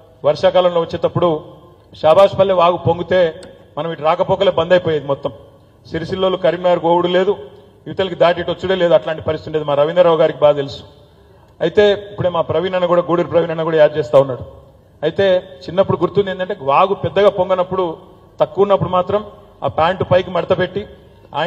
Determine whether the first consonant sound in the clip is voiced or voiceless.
voiced